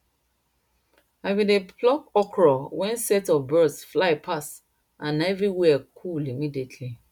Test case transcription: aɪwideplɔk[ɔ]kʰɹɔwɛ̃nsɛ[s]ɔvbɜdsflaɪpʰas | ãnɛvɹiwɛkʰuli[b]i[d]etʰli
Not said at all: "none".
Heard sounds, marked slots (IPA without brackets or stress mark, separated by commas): ɔ, t, m, d